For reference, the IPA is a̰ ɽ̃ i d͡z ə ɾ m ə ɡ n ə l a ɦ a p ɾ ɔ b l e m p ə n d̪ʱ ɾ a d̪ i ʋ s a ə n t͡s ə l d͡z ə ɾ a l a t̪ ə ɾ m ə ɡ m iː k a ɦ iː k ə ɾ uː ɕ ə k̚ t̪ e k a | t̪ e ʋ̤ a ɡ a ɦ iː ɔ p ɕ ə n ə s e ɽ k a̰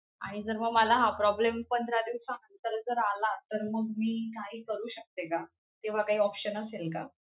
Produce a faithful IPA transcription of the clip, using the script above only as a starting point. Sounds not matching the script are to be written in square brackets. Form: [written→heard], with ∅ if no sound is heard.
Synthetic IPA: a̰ ɽ̃ i d͡z ə ɾ m ə ɡ [n→m] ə l a ɦ a p ɾ ɔ b l e m p ə n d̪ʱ ɾ a d̪ i ʋ s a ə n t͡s ə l d͡z ə ɾ a l a t̪ ə ɾ m ə ɡ m iː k a ɦ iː k ə ɾ uː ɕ ə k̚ t̪ e k a | t̪ e ʋ̤ a [ɡ→k] a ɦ iː ɔ p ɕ ə n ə s e [ɽ→l] k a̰

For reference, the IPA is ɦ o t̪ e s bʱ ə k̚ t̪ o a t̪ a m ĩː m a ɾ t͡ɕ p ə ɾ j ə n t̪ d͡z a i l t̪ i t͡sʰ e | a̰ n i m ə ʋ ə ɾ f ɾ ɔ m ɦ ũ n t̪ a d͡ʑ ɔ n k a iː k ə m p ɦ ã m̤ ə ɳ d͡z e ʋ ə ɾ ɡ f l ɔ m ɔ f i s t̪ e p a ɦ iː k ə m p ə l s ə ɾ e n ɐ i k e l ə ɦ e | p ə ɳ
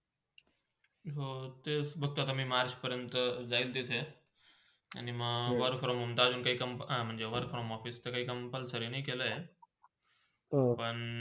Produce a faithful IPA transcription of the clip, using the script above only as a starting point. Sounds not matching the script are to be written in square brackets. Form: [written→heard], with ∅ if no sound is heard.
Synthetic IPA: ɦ o t̪ e s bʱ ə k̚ t̪ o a t̪ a m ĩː m a ɾ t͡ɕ p ə ɾ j ə n t̪ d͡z a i l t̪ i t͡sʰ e | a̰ n i m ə ʋ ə ɾ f ɾ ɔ m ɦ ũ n t̪ a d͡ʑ [ɔ→u] n k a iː k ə m p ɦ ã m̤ ə ɳ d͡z e ʋ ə ɾ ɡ f [l→ɾ] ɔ m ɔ f i s t̪ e [p→k] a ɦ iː k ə m p ə l s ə ɾ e n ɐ i k e l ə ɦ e | p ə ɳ

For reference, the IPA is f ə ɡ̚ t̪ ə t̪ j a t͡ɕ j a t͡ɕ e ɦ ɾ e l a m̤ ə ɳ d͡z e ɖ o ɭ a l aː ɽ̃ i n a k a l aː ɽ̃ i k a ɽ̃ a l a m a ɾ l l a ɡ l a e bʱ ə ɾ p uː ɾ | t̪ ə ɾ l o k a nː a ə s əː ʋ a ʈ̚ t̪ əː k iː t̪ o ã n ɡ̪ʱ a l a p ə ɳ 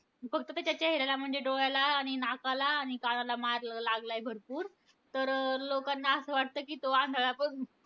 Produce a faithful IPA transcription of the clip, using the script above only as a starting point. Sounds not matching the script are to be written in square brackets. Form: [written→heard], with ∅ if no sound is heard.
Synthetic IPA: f ə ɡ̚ t̪ ə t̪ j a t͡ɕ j a t͡ɕ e ɦ ɾ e l a m̤ ə ɳ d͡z e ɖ o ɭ a l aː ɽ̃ i n a k a l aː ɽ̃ i k a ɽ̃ a l a m a ɾ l l a ɡ l a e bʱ ə ɾ p uː ɾ | t̪ ə ɾ l o k a nː a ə s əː ʋ a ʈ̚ t̪ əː k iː t̪ o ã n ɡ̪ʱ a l a p ə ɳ

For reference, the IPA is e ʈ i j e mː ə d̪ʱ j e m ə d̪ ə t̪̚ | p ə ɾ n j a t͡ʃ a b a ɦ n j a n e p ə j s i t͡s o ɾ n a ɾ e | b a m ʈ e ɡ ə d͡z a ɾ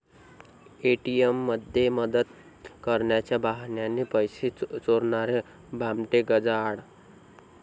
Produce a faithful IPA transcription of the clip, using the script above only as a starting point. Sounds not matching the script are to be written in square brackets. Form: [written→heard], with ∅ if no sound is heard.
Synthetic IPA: e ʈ i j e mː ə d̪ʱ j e m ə d̪ ə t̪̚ | [p→k] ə ɾ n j a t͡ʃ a b a ɦ n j a n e p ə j s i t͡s o ɾ n a ɾ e | b a m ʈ e ɡ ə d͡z a [ɾ→ɽ]

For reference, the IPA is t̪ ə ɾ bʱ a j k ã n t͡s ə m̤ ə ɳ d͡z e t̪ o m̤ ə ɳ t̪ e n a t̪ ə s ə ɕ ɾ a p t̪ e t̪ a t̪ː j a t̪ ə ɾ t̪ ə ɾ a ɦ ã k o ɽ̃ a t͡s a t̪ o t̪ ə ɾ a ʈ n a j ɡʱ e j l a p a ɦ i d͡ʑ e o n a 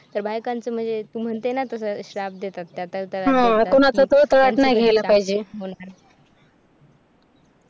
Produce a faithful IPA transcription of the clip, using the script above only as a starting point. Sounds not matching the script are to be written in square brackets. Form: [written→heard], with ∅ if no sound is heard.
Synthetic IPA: t̪ ə ɾ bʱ a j k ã n t͡s ə m̤ ə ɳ d͡z e t̪ [o→u] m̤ ə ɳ t̪ e n a t̪ ə s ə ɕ ɾ a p [t̪→d̪] e t̪ a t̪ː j a t̪ ə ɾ t̪ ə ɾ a ɦ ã k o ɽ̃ a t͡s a t̪ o t̪ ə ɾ a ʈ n a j ɡʱ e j l a p a ɦ i d͡ʑ e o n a

